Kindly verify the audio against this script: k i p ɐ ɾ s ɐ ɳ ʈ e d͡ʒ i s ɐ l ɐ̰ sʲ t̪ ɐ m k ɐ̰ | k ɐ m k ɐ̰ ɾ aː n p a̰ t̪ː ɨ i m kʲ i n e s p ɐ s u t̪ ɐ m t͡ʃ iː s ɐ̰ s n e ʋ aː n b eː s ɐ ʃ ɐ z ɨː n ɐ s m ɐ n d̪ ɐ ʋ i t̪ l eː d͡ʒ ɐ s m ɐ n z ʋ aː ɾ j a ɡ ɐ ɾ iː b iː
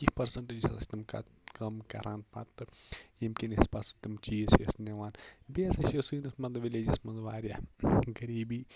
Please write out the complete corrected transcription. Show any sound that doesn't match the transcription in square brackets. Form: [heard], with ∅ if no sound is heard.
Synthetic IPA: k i p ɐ ɾ s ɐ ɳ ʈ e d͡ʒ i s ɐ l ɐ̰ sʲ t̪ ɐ m k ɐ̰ | k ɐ m k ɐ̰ ɾ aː n p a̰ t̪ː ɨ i m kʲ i n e s p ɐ s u t̪ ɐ m t͡ʃ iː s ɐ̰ s n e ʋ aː n b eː s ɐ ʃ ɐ [s] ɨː n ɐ s m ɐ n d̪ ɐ ʋ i [∅] l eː d͡ʒ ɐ s m ɐ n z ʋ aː ɾ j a ɡ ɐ ɾ iː b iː